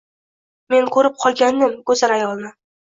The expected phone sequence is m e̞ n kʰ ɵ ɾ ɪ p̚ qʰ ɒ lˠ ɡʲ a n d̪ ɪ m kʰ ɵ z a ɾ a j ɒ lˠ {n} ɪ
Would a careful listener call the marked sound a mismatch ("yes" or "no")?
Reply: no